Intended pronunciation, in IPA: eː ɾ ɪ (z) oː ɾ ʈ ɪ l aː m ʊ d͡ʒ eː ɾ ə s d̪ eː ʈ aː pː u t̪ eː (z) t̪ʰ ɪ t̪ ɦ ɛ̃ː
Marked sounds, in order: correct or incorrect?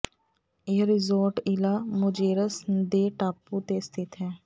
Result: correct, incorrect: s

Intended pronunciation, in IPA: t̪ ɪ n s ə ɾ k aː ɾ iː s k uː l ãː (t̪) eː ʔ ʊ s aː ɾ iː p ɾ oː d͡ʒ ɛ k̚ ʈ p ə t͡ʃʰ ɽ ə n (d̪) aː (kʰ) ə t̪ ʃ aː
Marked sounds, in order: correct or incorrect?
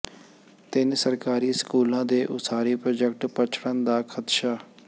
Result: incorrect: d̪, correct, correct

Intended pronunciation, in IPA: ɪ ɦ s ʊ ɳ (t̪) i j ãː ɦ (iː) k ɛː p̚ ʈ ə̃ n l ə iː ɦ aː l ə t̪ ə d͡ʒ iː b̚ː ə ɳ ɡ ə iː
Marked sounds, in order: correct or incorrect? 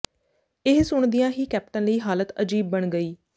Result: incorrect: d̪, correct

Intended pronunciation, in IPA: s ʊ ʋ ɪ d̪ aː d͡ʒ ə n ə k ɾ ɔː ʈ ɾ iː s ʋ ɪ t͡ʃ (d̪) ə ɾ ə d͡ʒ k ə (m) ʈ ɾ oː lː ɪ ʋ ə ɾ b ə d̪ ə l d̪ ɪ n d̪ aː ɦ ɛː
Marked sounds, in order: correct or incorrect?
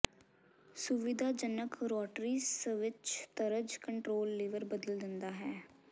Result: incorrect: t̪, incorrect: ɳ

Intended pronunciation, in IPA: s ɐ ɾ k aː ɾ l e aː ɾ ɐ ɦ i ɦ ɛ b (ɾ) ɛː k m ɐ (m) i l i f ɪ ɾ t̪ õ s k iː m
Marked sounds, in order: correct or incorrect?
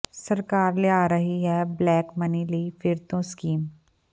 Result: incorrect: l, incorrect: n

